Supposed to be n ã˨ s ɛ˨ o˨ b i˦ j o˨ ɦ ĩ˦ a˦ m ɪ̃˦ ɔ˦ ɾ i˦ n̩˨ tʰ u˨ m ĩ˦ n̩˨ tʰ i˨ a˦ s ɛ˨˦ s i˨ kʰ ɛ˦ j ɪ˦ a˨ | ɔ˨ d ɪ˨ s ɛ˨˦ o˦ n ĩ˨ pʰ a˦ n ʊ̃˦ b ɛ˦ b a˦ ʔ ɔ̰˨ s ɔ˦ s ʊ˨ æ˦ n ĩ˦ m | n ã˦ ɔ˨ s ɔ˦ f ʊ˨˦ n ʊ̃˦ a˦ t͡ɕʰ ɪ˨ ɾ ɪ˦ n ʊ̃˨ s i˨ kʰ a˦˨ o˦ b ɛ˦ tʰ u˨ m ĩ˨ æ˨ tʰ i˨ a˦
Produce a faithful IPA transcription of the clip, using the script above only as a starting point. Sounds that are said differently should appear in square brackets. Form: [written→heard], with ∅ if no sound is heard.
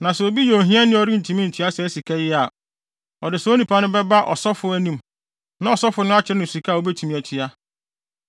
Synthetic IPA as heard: n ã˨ s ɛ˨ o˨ b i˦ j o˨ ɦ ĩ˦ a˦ [m→n] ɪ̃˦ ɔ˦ ɾ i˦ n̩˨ tʰ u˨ m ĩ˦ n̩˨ tʰ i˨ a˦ s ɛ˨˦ s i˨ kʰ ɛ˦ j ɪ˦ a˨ | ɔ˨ d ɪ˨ s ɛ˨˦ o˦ n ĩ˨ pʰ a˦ n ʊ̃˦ b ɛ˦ b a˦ ʔ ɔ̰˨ s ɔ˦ [s→f] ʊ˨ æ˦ n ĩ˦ m | n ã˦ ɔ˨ s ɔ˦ f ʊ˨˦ n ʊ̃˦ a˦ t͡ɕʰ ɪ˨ ɾ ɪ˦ n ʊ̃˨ s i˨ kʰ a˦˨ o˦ b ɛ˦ tʰ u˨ m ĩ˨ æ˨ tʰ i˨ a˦